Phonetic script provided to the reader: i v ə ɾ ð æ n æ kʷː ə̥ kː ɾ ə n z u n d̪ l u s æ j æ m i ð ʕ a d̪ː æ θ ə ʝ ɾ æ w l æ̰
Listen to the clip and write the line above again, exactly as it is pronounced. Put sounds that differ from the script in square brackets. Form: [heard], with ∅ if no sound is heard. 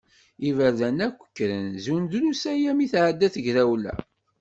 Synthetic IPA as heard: i v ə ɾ ð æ n æ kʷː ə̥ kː ɾ ə n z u n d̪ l u s æ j æ m i [θ] ʕ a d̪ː æ θ ə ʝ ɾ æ w l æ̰